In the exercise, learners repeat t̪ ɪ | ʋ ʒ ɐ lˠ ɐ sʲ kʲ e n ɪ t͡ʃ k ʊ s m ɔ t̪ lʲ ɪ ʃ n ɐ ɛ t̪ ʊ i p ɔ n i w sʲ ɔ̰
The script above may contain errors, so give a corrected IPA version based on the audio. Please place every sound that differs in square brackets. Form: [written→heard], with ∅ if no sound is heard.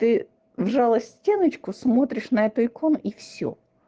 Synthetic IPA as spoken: t̪ ɪ | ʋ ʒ [ɐ→ɑ] lˠ ɐ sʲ [kʲ→tʲ] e n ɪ t͡ʃ k ʊ s m ɔ t̪ [lʲ→ɾʲ] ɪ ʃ n ɐ ɛ t̪ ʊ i [p→k] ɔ n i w sʲ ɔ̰